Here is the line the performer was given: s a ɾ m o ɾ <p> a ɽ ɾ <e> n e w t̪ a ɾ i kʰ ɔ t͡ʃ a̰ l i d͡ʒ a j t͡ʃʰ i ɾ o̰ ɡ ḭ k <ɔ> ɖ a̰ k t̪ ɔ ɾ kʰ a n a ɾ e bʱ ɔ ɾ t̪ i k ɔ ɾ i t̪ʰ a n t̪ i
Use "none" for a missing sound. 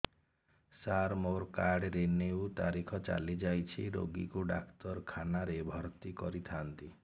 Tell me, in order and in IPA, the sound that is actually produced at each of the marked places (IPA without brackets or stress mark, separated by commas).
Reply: k, e, u